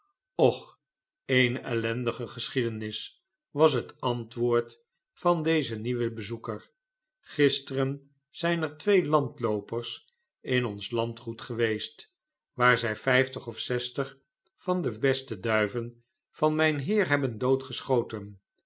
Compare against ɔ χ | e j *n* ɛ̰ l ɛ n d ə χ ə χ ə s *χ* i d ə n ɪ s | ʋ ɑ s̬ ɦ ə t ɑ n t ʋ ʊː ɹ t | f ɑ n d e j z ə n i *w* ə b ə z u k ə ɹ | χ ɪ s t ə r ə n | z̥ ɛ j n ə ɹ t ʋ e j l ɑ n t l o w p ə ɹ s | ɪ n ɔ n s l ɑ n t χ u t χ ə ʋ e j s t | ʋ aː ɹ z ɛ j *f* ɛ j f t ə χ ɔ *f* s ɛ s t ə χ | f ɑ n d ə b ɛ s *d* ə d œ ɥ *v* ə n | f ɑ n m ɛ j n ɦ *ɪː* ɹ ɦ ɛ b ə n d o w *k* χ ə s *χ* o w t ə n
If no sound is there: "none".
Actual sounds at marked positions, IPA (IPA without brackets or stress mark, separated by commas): n, χ, ʋ, f, f, t, v, ɪː, t, χ